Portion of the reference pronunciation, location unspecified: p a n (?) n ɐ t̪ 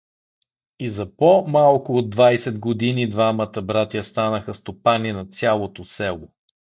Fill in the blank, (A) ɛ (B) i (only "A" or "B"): B